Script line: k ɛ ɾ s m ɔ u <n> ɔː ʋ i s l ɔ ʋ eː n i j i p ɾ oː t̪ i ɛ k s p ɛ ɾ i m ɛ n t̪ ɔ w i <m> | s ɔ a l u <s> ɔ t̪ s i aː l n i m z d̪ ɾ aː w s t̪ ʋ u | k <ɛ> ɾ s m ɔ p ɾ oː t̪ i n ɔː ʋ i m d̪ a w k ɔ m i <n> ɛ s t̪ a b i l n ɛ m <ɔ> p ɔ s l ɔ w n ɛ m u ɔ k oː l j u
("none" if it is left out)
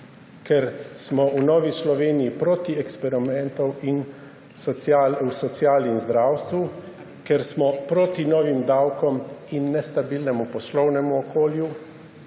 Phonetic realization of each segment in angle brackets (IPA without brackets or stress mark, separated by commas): n, n, s, ɛ, nː, u